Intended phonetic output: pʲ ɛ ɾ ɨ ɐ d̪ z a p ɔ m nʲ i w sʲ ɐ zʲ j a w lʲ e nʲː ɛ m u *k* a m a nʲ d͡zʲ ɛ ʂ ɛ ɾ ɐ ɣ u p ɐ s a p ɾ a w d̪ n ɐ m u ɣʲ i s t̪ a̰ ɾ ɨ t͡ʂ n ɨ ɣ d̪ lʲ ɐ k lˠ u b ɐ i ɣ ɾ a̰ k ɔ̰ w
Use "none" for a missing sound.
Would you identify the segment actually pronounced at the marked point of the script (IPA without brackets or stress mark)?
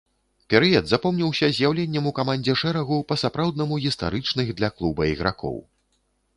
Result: k